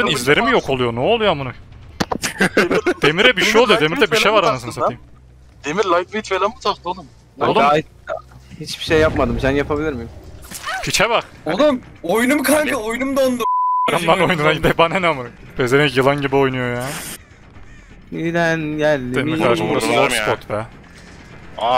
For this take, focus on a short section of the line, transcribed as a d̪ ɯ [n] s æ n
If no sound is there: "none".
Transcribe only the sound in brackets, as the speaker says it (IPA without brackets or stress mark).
m